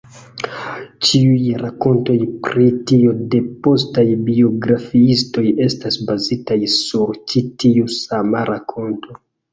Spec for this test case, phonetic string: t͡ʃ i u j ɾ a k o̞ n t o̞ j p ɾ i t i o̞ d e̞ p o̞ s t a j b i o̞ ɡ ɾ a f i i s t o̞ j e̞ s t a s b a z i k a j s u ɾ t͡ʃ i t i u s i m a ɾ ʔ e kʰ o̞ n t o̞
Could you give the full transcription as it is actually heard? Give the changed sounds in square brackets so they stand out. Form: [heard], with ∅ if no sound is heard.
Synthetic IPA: t͡ʃ i u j ɾ a k o̞ n t o̞ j p ɾ i t i o̞ d e̞ p o̞ s t a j b i o̞ ɡ ɾ a f i i s t o̞ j e̞ s t a s b a z i [t] a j s u ɾ t͡ʃ i t i u s [a] m a ɾ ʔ [a] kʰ o̞ n t o̞